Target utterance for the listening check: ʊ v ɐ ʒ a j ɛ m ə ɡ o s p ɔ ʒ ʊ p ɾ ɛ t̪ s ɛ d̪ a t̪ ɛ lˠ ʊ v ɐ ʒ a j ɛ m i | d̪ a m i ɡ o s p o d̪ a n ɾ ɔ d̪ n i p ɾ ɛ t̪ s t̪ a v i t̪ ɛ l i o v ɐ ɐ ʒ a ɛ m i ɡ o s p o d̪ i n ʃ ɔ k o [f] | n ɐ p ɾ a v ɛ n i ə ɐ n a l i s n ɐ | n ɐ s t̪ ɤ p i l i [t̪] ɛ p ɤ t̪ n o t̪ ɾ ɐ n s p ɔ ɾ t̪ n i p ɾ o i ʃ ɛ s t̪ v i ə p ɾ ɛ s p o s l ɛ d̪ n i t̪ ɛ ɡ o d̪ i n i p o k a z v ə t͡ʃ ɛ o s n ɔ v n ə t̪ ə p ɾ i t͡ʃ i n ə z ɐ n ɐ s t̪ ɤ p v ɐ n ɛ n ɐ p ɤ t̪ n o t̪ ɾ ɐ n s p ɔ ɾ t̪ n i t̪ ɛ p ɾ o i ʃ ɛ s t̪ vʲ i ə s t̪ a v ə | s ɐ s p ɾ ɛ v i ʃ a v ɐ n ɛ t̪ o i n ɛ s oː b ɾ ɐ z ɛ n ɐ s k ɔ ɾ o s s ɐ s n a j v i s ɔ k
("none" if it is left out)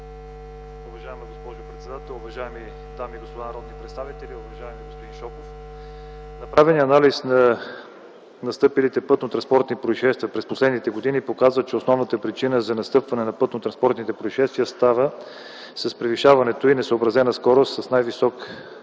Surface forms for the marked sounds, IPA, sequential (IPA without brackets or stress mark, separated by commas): f, t̪